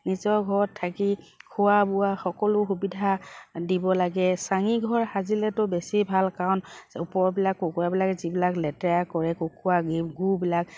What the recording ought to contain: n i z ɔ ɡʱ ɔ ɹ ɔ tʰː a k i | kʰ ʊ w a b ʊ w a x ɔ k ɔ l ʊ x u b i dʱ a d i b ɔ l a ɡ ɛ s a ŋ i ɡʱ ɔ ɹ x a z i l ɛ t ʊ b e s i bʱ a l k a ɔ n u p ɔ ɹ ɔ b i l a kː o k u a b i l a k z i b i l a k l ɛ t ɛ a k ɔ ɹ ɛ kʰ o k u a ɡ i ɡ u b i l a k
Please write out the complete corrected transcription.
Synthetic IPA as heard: n i z ɔ ɡʱ ɔ ɹ ɔ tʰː a k i | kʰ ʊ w a b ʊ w a x ɔ k ɔ l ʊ x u b i dʱ a d i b ɔ l a ɡ ɛ s a ŋ i ɡʱ ɔ ɹ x a z i l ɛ t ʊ b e s i bʱ a l k a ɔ n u p ɔ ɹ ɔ b i l a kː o k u a b i l a k z i b i l a k l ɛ t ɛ a k ɔ ɹ ɛ k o k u a ɡ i ɡ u b i l a k